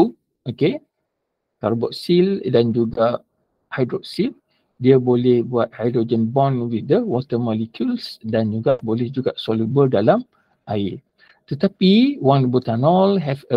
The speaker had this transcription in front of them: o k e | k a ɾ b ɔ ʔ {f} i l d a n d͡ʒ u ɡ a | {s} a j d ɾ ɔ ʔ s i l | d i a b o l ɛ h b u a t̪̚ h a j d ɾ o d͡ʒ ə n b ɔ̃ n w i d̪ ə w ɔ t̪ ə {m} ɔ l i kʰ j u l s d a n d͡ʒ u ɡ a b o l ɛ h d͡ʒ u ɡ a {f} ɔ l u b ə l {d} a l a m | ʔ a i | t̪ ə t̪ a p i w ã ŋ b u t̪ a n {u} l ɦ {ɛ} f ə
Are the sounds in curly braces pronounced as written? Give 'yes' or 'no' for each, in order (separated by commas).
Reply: no, no, yes, no, yes, no, yes